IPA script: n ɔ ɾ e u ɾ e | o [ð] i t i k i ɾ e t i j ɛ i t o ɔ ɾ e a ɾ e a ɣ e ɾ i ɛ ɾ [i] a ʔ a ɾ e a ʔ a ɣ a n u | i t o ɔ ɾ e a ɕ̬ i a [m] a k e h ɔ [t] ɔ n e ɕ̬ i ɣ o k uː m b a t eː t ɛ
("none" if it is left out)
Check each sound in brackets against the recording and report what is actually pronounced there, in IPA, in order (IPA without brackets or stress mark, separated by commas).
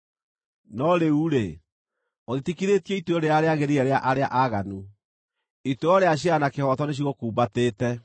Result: ð, e, n, t